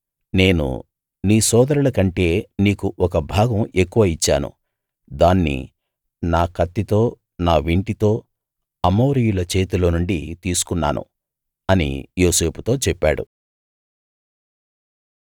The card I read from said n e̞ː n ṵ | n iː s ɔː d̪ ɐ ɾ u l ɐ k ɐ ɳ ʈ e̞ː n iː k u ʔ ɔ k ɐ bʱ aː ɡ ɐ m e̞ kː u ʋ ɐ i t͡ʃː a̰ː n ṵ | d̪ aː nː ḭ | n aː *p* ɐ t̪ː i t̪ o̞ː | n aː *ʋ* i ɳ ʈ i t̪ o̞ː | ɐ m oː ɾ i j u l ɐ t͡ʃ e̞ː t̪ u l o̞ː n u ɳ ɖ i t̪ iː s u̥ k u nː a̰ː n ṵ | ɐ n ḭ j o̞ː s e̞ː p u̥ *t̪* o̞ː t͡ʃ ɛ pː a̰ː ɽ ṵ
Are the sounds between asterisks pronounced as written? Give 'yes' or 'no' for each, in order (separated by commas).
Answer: no, yes, yes